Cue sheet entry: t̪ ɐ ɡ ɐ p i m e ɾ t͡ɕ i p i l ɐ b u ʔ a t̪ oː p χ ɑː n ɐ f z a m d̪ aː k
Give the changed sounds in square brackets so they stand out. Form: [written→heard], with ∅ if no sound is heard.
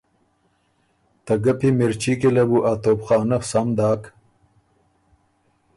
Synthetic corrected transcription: t̪ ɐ ɡ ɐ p i m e ɾ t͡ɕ i [p→k] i l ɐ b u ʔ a t̪ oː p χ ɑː n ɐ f [z→s] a m d̪ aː k